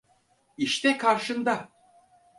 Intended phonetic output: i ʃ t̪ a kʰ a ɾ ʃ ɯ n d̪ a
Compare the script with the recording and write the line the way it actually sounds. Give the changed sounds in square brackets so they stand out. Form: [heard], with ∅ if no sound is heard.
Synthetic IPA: i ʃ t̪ [ɛ] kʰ a ɾ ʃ ɯ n d̪ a

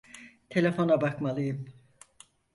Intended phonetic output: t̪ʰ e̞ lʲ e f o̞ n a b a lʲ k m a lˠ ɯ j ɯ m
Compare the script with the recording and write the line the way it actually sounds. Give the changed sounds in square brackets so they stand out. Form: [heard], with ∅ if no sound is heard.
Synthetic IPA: t̪ʰ e̞ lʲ e f o̞ n a b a [∅] k m a lˠ ɯ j ɯ m

